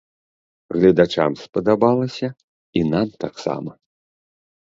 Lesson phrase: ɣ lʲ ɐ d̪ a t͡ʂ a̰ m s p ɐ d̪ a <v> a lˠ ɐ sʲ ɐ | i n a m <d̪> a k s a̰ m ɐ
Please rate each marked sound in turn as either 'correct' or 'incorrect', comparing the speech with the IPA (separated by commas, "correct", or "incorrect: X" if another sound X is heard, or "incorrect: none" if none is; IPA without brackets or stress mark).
incorrect: b, incorrect: t̪